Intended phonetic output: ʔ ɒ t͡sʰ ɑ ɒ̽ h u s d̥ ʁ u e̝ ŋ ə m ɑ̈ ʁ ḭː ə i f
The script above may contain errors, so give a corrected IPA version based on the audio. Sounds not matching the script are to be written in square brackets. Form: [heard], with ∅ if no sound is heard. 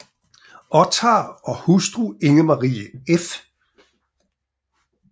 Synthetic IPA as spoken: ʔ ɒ t͡sʰ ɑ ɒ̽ h u s d̥ ʁ u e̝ ŋ ə m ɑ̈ ʁ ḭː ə [e] f